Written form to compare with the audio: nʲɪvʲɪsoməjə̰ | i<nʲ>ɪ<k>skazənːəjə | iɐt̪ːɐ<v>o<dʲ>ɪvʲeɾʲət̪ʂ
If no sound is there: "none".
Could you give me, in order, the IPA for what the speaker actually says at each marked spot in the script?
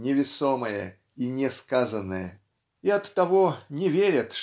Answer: nʲ, none, v, nʲ

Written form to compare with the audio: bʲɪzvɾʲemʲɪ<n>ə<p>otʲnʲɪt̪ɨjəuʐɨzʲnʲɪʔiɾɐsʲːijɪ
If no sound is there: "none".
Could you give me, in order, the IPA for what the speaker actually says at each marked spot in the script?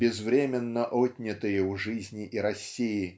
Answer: nː, ʔ

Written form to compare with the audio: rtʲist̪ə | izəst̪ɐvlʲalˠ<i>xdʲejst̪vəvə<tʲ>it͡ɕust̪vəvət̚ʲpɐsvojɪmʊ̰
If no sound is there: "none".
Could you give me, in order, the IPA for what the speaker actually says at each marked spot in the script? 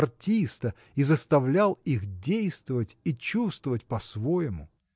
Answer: i, tʲ

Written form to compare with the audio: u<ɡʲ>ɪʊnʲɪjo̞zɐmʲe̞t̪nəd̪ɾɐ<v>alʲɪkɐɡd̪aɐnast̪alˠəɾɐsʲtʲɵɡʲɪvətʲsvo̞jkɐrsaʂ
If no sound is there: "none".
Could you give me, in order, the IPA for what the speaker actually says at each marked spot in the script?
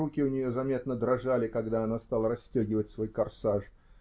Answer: kʲ, ʐ

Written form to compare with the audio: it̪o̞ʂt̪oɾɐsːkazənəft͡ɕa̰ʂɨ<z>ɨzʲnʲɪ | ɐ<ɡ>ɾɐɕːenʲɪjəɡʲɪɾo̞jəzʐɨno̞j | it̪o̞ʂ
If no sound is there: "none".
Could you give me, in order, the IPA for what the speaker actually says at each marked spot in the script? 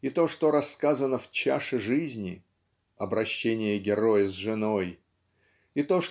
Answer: ʐ, b

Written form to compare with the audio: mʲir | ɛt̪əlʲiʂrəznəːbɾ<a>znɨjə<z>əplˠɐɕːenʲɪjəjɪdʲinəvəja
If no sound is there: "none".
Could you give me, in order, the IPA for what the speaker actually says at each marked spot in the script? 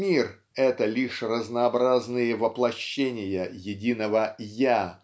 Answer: a, v

